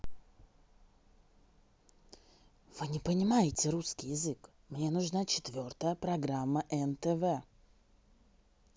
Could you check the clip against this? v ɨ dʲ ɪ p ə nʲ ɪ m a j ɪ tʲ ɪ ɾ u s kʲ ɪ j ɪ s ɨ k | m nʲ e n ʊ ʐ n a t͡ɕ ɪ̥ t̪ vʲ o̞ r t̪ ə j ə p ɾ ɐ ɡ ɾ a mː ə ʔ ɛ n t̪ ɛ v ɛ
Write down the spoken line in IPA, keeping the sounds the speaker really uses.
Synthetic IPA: v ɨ nʲ ɪ p ə nʲ ɪ m a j ɪ tʲ ɪ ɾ u s kʲ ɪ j ɪ z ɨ k | m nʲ e n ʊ ʐ n a t͡ɕ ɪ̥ t̪ vʲ o̞ r t̪ ə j ə p ɾ ɐ ɡ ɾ a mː ə ʔ ɛ n t̪ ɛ v ɛ